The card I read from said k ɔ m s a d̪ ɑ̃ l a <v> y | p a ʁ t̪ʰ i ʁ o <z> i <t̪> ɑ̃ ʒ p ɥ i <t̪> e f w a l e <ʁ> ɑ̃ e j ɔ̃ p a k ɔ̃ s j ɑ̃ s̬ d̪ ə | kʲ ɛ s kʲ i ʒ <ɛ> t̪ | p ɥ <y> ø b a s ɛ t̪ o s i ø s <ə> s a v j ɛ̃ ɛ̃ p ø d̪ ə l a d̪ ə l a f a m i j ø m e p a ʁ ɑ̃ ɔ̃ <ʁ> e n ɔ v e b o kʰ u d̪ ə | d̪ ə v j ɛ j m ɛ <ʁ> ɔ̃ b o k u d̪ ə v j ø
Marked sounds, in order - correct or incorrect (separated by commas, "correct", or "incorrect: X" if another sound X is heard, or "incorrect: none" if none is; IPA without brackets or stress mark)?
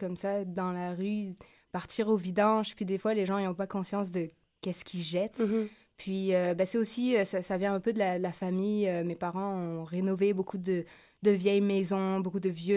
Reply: incorrect: ʁ, incorrect: v, incorrect: d̪, incorrect: d̪, incorrect: ʒ, correct, incorrect: i, incorrect: a, correct, incorrect: z